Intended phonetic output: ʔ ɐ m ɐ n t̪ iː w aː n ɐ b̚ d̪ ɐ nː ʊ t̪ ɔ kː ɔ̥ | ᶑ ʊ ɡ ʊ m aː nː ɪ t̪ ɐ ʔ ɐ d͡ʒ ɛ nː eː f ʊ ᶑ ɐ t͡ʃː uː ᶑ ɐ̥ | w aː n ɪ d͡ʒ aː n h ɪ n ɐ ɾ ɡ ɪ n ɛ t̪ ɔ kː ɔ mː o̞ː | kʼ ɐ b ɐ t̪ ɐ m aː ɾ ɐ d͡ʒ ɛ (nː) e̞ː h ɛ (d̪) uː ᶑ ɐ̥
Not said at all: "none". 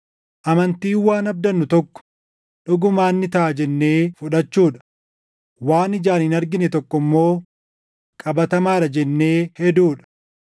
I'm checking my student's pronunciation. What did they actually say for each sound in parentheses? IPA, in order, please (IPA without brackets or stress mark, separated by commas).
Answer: nː, d̪